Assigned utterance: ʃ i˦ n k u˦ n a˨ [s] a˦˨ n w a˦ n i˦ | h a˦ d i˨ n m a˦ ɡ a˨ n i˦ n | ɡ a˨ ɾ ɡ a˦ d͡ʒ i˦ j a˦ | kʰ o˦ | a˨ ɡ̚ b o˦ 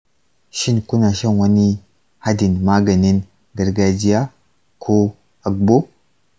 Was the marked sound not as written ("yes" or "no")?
yes